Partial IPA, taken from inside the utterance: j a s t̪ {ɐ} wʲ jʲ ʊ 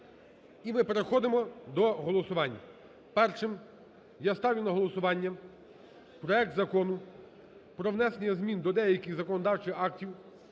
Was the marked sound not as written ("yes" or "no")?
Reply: yes